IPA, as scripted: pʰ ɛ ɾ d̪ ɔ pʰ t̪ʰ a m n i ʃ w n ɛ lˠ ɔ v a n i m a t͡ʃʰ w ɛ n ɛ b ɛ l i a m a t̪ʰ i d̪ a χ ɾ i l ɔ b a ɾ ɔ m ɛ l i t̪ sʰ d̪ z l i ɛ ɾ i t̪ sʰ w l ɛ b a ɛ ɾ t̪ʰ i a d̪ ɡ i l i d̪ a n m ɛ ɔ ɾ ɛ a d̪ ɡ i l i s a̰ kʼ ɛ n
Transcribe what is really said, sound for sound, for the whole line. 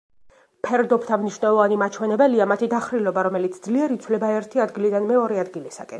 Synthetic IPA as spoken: pʰ ɛ ɾ d̪ ɔ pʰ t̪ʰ a m n i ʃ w n ɛ lˠ ɔ v a n i m a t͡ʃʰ w ɛ n ɛ b ɛ l i a m a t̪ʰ i d̪ a χ ɾ i l ɔ b a ɾ ɔ m ɛ l i t̪ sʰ d̪ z l i ɛ ɾ i t̪ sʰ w l ɛ b a ɛ ɾ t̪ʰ i a d̪ ɡ i l i d̪ a n m ɛ ɔ ɾ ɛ a d̪ ɡ i l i s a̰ kʼ ɛ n